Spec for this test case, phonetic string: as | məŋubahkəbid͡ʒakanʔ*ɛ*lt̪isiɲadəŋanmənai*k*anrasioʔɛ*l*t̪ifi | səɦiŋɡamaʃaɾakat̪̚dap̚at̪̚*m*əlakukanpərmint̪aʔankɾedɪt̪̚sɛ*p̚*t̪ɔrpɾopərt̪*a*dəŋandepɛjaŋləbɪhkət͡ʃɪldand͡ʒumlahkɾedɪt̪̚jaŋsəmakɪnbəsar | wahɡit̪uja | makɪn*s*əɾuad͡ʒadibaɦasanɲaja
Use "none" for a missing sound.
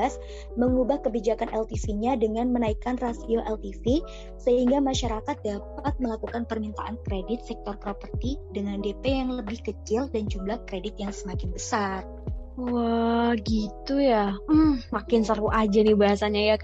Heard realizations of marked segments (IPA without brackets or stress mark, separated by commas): ɛ, k, l, m, k̚, i, s